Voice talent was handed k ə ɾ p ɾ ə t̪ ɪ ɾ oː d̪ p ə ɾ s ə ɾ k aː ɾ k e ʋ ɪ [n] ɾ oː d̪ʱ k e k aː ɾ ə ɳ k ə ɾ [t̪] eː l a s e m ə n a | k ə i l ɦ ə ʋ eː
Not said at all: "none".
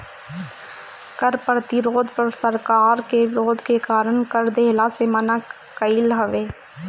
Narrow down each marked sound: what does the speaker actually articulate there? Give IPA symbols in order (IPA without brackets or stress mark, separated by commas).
none, d̪